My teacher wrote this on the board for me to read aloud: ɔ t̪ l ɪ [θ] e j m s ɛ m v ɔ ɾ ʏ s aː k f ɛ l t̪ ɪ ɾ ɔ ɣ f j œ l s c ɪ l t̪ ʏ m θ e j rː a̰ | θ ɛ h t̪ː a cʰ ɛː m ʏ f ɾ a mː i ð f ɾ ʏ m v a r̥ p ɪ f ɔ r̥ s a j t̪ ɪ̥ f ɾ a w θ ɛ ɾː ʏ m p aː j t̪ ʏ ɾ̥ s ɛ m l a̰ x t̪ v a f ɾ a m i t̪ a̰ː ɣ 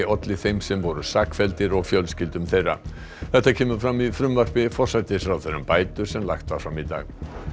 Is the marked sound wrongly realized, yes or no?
no